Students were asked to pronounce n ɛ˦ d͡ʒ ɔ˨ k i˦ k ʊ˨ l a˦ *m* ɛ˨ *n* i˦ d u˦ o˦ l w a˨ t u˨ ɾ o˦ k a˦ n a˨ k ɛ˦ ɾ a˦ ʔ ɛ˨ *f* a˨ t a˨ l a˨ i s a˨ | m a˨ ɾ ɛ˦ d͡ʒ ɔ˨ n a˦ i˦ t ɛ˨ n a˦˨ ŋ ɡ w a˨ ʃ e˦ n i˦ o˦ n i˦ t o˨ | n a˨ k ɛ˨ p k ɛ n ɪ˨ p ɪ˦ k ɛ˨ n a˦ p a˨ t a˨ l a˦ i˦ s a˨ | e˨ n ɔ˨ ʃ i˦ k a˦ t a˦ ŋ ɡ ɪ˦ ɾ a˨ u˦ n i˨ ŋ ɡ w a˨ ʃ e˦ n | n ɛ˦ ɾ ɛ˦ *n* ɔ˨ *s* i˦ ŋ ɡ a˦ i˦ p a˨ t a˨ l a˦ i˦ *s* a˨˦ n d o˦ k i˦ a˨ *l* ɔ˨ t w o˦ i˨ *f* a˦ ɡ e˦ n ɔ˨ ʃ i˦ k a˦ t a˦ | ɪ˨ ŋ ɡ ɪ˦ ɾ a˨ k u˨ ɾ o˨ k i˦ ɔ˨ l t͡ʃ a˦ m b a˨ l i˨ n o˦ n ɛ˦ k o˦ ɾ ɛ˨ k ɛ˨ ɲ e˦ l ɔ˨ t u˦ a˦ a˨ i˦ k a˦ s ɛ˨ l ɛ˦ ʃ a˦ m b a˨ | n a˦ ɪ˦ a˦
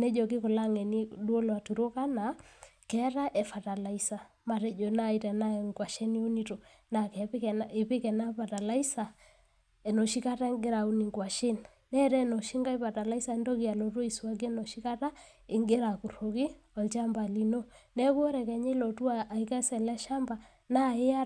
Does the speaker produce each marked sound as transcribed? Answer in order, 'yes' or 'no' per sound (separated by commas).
no, yes, yes, yes, no, yes, yes, no